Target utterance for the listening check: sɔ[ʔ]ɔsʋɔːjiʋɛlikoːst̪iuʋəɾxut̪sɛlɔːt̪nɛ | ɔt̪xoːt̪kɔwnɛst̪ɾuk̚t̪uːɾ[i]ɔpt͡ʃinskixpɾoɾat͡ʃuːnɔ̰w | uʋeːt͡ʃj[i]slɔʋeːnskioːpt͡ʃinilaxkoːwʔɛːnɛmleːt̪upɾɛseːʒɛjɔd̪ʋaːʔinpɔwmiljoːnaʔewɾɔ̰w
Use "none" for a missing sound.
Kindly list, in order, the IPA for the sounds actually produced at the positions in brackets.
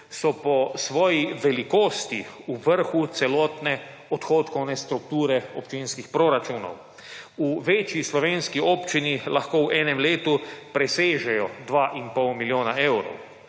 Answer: p, ɛ, i

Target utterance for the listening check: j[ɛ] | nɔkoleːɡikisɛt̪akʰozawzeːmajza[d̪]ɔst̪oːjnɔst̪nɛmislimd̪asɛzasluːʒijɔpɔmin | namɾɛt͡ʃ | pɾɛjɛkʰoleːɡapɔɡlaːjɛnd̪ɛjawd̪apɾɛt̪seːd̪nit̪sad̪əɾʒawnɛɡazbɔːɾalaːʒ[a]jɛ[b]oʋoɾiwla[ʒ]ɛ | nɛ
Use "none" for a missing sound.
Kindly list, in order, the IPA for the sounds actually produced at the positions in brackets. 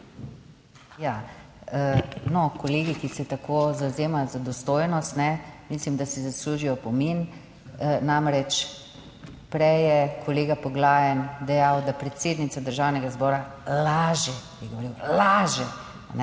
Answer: a, d̪, ɛ, ɡ, ʒ

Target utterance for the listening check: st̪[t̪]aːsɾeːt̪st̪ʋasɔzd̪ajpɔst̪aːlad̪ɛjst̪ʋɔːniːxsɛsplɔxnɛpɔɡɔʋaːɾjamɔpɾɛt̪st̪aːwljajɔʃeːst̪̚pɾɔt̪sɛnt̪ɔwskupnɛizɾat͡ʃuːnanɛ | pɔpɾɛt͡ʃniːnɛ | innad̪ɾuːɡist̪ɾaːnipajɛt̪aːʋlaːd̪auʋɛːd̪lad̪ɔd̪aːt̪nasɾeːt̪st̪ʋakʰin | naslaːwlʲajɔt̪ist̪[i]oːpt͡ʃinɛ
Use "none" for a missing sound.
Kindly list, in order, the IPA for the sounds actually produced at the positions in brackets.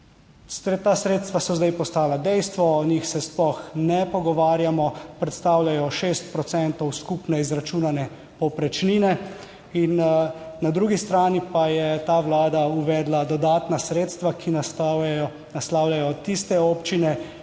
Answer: t̪, ɛ

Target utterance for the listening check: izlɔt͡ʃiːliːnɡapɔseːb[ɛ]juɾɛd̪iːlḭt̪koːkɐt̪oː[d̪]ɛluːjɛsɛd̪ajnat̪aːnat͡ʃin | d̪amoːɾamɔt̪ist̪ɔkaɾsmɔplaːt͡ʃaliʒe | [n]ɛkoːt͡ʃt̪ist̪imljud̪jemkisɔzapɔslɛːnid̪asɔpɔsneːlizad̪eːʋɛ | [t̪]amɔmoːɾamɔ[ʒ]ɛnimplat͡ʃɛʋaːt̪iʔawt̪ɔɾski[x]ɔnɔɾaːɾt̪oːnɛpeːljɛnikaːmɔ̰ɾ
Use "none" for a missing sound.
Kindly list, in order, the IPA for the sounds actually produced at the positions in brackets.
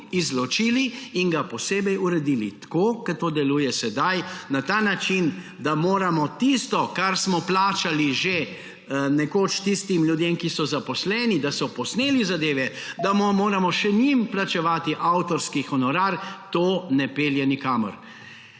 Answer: ɛ, d̪, n, d̪, ʃ, x

